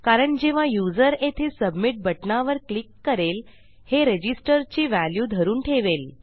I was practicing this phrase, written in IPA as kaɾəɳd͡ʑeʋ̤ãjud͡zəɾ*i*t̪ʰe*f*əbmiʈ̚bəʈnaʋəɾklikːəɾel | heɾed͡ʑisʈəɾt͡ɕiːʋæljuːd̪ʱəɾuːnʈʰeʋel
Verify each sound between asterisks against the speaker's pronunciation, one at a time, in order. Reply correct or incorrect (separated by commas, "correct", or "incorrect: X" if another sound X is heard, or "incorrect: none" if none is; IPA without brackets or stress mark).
incorrect: e, incorrect: s